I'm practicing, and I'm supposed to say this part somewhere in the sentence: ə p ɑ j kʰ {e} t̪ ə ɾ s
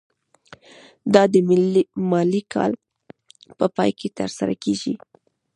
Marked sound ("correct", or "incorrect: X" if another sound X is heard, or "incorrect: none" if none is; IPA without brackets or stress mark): correct